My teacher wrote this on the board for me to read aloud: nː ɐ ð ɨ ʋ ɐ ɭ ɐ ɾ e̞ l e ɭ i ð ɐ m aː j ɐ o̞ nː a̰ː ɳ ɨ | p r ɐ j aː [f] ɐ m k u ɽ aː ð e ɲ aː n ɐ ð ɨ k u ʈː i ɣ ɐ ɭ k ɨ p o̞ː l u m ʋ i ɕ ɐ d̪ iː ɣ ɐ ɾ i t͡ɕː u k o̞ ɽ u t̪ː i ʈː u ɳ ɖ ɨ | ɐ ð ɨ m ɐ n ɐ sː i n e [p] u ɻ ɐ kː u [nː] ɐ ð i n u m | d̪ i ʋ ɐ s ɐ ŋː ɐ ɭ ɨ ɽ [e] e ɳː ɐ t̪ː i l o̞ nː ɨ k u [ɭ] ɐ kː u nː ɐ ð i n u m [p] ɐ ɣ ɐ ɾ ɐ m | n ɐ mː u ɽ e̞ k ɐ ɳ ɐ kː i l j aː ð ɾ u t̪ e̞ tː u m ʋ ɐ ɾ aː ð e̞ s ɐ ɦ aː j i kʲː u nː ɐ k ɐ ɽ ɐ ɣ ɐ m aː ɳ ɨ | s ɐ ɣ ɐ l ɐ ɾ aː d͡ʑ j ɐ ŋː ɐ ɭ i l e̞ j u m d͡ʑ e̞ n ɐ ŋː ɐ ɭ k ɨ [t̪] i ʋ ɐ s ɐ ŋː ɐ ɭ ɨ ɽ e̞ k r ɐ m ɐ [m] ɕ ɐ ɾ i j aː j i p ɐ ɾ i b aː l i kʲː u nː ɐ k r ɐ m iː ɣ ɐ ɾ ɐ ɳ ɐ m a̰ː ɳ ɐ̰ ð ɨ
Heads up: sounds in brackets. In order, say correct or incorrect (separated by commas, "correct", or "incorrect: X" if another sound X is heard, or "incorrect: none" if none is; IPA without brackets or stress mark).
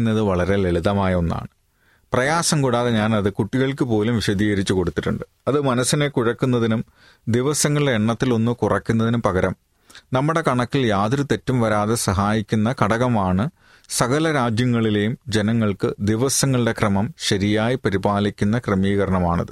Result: incorrect: s, incorrect: k, correct, correct, incorrect: r, correct, incorrect: d̪, correct